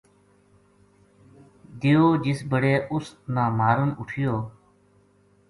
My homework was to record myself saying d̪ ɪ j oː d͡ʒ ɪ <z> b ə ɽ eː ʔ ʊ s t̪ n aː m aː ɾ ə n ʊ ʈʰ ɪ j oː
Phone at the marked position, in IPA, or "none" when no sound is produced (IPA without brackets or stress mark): s